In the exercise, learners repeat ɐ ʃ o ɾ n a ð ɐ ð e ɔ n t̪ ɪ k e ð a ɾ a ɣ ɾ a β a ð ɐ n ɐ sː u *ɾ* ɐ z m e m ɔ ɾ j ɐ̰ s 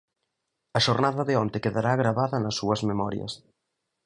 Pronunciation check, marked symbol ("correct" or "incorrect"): incorrect